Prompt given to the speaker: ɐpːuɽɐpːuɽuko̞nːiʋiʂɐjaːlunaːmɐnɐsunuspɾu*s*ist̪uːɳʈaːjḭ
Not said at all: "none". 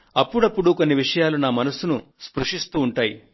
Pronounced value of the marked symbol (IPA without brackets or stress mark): ʂ